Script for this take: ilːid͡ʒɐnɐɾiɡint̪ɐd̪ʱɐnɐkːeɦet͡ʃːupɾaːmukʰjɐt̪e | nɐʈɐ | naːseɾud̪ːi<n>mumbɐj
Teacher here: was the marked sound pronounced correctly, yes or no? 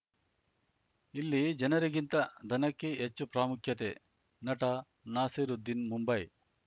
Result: yes